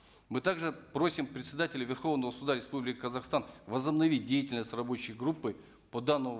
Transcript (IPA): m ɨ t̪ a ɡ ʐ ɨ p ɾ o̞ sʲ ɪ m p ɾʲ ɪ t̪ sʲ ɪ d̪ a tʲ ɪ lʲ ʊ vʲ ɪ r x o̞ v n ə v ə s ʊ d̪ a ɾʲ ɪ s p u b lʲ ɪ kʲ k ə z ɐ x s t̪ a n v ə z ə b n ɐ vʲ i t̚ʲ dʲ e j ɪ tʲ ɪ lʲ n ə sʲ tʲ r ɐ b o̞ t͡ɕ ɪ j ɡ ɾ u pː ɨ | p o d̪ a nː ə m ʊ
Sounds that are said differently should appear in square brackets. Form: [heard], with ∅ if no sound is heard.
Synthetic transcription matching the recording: m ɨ t̪ a ɡ ʐ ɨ p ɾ o̞ sʲ ɪ m p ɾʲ ɪ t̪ sʲ ɪ d̪ a tʲ ɪ lʲ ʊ vʲ ɪ r x o̞ v n ə v ə s ʊ d̪ a ɾʲ ɪ s p u b lʲ ɪ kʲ k ə z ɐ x s t̪ a n v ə z ə b n ɐ vʲ i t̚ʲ dʲ e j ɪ tʲ ɪ lʲ n ə sʲ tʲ r ɐ b o̞ t͡ɕ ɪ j ɡ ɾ u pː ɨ | p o d̪ a nː ə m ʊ